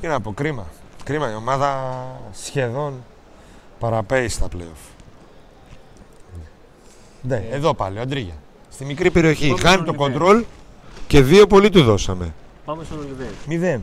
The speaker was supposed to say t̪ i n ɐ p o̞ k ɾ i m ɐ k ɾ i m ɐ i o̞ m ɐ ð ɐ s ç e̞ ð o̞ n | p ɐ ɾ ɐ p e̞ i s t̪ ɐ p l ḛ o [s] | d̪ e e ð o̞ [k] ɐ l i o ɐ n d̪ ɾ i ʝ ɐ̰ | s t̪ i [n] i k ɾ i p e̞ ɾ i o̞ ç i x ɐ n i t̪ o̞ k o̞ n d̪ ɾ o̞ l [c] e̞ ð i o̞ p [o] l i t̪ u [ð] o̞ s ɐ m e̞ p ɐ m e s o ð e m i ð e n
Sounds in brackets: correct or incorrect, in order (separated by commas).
incorrect, incorrect, incorrect, correct, correct, correct